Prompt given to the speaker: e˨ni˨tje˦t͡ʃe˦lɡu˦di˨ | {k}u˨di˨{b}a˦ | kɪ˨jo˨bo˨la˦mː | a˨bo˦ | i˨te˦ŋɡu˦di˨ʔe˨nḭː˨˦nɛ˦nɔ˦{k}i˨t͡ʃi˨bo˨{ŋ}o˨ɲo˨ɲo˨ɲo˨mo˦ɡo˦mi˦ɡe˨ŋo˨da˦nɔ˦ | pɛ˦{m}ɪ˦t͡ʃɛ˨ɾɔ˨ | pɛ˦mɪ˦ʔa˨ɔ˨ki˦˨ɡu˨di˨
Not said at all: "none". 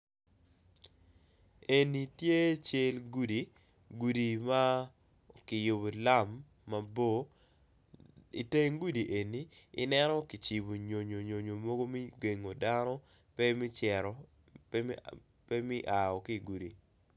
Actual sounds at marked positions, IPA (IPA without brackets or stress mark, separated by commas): ɡ, m, k, ɲ, m